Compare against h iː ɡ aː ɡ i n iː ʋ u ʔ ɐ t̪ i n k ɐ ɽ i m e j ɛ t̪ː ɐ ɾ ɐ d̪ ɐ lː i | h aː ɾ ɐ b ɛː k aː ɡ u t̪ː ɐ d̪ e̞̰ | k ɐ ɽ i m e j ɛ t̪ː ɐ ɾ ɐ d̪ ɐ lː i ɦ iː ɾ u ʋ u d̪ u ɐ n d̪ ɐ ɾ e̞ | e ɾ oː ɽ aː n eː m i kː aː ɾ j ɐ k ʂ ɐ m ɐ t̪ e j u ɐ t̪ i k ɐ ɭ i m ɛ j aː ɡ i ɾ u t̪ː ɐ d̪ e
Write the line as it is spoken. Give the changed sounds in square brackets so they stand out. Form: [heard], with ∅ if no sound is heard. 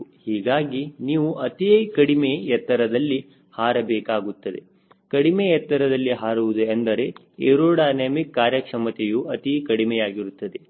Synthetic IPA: h iː ɡ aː ɡ i n iː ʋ u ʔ ɐ t̪ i [∅] k ɐ ɽ i m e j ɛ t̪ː ɐ ɾ ɐ d̪ ɐ lː i | h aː ɾ ɐ b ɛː k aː ɡ u t̪ː ɐ d̪ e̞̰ | k ɐ ɽ i m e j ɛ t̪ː ɐ ɾ ɐ d̪ ɐ lː i ɦ [aː] ɾ u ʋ u d̪ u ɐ n d̪ ɐ ɾ e̞ | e ɾ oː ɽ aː n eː m i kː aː ɾ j ɐ k ʂ ɐ m ɐ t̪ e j u ɐ t̪ i k ɐ [ɽ] i m ɛ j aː ɡ i ɾ u t̪ː ɐ d̪ e